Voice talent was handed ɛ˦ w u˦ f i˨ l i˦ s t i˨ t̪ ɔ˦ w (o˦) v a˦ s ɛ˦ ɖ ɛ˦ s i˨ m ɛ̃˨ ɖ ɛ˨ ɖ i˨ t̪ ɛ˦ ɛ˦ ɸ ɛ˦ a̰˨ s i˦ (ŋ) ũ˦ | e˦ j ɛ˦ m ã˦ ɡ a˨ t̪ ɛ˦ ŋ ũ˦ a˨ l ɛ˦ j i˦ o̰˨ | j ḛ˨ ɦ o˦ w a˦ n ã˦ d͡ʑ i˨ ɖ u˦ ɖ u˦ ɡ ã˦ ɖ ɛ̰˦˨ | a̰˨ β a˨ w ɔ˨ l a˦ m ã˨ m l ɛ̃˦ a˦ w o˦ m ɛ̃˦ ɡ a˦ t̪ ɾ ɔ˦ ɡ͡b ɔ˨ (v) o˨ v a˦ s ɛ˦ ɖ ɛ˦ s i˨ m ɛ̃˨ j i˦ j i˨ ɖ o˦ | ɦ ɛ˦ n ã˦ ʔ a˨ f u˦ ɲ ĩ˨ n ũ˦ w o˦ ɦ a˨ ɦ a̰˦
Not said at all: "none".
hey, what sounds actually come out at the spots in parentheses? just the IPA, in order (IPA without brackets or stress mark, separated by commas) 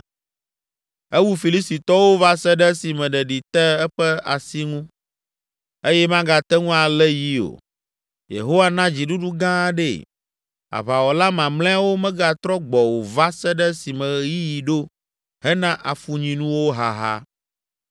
o˦, ŋ, w